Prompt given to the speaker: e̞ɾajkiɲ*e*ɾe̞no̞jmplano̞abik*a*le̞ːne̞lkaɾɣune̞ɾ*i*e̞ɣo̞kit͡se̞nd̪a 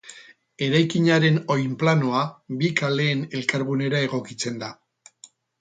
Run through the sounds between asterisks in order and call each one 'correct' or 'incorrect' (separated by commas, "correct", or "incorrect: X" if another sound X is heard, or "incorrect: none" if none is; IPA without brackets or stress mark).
incorrect: a, correct, incorrect: a